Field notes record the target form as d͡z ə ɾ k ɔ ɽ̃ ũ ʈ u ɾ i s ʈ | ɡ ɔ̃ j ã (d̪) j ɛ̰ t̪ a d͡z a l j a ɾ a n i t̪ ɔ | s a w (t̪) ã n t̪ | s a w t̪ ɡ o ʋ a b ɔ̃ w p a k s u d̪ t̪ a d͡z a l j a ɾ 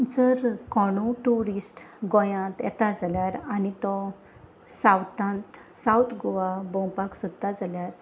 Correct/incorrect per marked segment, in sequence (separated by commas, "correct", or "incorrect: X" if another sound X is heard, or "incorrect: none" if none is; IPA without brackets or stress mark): incorrect: t̪, correct